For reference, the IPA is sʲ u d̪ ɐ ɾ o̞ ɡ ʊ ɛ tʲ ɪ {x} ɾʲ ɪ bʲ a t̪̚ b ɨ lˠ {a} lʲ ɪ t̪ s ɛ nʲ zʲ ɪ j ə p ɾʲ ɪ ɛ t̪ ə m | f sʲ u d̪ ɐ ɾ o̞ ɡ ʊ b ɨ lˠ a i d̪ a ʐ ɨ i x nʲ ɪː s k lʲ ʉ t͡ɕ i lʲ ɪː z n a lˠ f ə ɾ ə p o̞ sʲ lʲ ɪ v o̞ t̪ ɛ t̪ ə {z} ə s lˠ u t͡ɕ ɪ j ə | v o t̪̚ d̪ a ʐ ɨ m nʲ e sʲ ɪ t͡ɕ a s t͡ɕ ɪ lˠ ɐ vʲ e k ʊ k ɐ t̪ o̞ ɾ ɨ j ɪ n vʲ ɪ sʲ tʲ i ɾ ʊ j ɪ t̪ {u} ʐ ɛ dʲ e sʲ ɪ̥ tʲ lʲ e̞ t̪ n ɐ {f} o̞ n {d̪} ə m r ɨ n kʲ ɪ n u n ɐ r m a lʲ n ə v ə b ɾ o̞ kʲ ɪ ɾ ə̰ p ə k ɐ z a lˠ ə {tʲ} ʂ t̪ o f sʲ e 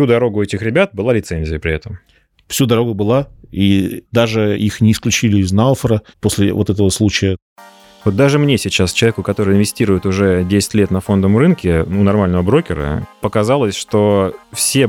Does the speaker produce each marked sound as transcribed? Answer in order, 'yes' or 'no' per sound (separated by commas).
yes, yes, no, no, yes, yes, no